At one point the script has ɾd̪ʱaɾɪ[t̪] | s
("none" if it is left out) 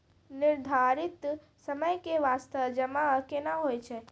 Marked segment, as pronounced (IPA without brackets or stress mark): t̪